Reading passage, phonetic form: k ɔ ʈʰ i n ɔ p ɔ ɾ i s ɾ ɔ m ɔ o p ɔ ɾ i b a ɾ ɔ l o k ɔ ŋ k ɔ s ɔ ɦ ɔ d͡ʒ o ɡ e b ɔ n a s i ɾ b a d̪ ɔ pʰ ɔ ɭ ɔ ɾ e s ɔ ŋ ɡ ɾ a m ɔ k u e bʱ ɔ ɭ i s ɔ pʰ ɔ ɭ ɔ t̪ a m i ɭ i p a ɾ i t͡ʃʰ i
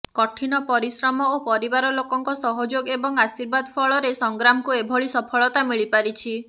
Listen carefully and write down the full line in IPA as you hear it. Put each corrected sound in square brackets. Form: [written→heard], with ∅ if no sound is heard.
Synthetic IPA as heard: k ɔ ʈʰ i n ɔ p ɔ ɾ i s ɾ ɔ m ɔ o p ɔ ɾ i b a ɾ ɔ l o k ɔ ŋ k ɔ s ɔ ɦ ɔ d͡ʒ o ɡ e b ɔ [n→ŋ] a s i ɾ b a d̪ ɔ pʰ ɔ ɭ ɔ ɾ e s ɔ ŋ ɡ ɾ a m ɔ k u e bʱ ɔ ɭ i s ɔ pʰ ɔ ɭ ɔ t̪ a m i ɭ i p a ɾ i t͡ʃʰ i

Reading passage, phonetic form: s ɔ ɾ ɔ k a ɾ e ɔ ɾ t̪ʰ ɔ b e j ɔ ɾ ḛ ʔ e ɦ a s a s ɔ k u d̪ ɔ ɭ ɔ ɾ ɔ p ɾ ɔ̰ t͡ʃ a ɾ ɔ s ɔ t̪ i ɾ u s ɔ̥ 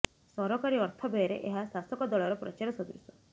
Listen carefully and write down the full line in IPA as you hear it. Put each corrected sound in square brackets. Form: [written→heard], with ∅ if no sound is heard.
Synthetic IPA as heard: s ɔ ɾ ɔ k a ɾ [e→i] ɔ ɾ t̪ʰ ɔ b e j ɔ ɾ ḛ ʔ e ɦ a s a s ɔ k [u→ɔ] d̪ ɔ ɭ ɔ ɾ ɔ p ɾ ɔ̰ t͡ʃ a ɾ ɔ s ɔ [t̪→d̪] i ɾ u s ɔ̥

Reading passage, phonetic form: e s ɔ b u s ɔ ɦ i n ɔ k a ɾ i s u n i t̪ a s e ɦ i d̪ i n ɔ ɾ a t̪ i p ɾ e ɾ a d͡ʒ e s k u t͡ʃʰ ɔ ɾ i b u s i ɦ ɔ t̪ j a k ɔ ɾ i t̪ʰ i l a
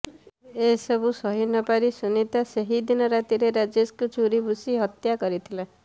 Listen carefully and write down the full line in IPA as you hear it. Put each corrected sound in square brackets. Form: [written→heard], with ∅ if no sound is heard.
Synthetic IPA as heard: e s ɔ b u s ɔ ɦ i n ɔ [k→p] a ɾ i s u n i t̪ a s e ɦ i d̪ i n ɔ ɾ a t̪ i [p→∅] ɾ e ɾ a d͡ʒ e s k u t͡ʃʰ [ɔ→u] ɾ i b u s i ɦ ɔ t̪ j a k ɔ ɾ i t̪ʰ i l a

